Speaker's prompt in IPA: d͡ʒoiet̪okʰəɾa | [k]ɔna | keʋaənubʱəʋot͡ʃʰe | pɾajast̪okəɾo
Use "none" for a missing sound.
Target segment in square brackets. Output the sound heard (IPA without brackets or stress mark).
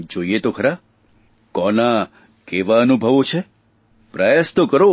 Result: k